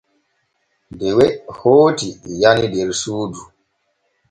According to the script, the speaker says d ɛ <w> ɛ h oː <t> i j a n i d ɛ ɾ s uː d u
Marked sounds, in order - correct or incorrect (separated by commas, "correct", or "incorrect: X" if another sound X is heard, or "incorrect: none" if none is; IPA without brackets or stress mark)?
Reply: correct, correct